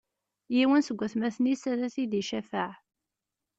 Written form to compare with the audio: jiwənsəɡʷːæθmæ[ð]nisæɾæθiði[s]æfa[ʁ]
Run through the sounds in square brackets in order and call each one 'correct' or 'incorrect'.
incorrect, incorrect, incorrect

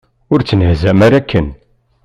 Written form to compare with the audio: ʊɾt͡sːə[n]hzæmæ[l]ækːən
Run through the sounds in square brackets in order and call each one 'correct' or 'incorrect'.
correct, incorrect

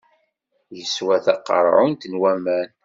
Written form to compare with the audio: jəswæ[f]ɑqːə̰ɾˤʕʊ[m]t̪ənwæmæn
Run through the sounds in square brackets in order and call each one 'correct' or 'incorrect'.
incorrect, incorrect

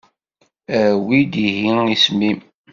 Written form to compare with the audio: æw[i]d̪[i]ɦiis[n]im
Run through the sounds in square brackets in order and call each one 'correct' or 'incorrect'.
correct, correct, incorrect

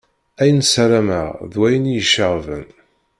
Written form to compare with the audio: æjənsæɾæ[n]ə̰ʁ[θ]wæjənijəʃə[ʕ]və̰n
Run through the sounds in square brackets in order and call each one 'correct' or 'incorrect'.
incorrect, incorrect, incorrect

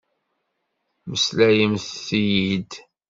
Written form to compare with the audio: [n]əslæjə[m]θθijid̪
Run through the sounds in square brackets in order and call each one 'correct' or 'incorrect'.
incorrect, correct

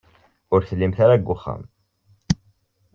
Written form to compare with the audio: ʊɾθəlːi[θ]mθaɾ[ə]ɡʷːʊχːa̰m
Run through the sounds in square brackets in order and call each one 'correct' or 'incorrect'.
incorrect, incorrect

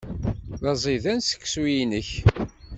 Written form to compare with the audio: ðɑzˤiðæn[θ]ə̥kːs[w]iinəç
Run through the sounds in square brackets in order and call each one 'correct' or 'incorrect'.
incorrect, correct

